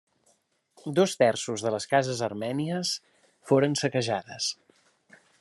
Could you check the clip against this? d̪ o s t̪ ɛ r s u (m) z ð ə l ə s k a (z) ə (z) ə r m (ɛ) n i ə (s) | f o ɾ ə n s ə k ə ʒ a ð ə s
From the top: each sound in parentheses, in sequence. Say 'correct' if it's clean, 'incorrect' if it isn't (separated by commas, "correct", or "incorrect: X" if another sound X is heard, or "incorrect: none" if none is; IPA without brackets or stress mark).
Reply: incorrect: none, correct, correct, correct, correct